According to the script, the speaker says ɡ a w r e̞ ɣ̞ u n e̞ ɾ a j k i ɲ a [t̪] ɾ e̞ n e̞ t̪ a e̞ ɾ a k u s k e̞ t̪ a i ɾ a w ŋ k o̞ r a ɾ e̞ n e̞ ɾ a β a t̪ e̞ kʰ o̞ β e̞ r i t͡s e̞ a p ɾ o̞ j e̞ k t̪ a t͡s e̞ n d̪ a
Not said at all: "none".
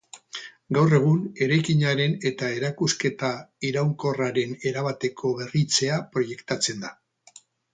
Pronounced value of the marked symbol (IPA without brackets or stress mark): none